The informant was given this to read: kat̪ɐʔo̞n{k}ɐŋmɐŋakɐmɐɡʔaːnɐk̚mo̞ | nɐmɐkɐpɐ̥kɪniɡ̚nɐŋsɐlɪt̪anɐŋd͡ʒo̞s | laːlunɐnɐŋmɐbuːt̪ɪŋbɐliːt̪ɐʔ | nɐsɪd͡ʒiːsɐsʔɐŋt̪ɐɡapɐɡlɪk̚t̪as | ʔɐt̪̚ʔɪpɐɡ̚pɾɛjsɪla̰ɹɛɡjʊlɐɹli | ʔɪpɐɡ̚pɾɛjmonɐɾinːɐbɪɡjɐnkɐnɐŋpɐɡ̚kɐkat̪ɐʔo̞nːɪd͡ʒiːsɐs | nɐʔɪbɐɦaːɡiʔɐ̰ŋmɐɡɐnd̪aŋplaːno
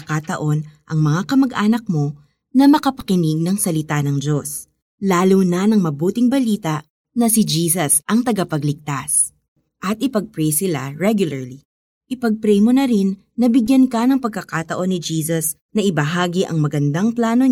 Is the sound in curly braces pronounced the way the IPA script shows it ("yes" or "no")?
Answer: no